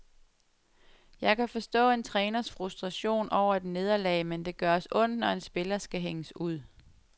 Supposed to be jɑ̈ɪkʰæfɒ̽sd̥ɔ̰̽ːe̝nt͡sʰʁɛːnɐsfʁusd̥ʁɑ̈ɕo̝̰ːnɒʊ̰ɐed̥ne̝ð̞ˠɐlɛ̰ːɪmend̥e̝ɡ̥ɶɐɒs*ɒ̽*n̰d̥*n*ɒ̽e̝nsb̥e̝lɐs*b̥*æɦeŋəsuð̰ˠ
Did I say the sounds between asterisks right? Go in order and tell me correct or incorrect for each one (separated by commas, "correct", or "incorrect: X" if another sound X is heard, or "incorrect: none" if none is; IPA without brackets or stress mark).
incorrect: ɔ̽, correct, incorrect: ɡ̥